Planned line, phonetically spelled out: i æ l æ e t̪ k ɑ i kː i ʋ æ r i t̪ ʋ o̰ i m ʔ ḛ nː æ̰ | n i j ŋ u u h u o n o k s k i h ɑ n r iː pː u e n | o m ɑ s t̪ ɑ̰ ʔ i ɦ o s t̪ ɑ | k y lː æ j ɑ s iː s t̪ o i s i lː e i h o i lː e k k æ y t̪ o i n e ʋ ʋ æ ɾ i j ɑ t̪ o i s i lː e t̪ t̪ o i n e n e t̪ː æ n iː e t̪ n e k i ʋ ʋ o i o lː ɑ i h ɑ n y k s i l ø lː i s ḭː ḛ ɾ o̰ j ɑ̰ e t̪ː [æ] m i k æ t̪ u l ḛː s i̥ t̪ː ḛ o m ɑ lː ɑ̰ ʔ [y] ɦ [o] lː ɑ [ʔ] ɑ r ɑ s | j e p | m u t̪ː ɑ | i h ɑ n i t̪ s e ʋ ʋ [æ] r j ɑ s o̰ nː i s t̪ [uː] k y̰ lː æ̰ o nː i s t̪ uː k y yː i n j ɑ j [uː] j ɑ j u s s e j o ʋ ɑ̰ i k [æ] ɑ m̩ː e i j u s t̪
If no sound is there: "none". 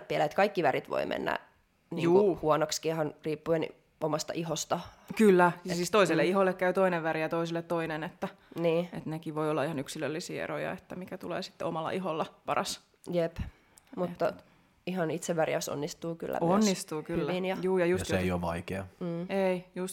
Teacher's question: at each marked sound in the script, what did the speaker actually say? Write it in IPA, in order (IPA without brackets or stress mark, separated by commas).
æ, i, o, p, æ, uː, uː, e